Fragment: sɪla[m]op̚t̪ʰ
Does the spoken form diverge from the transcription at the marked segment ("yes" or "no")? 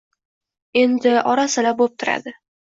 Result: yes